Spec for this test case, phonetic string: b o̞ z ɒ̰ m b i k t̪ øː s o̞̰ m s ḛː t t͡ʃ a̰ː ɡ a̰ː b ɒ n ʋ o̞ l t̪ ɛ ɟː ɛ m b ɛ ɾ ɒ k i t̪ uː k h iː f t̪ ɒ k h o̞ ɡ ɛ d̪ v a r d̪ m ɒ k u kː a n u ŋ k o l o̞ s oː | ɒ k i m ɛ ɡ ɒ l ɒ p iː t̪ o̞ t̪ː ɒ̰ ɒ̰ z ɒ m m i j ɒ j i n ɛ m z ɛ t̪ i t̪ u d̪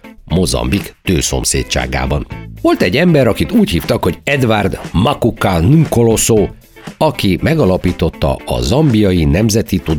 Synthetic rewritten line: m o̞ z ɒ̰ m b i k t̪ øː s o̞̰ m s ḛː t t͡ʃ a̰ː ɡ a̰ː b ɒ n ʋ o̞ l t̪ ɛ ɟː ɛ m b ɛ ɾ ɒ k i t̪ uː c h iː f t̪ ɒ k h o̞ ɟ ɛ d̪ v a r d̪ m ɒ k u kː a n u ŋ k o l o̞ s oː | ɒ k i m ɛ ɡ ɒ l ɒ p iː t̪ o̞ t̪ː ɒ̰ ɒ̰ z ɒ m b i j ɒ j i n ɛ m z ɛ t̪ i t̪ u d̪